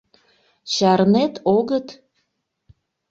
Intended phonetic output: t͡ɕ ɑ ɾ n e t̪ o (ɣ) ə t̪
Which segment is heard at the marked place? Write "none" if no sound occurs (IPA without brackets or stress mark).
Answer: ɣ